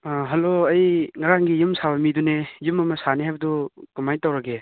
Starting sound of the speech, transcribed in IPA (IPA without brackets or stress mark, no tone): ɦ